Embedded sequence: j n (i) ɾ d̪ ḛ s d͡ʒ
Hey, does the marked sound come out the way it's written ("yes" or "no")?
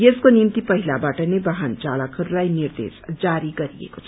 yes